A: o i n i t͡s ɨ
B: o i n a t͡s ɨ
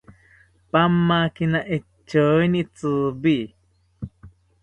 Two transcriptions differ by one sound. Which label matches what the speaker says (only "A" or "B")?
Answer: A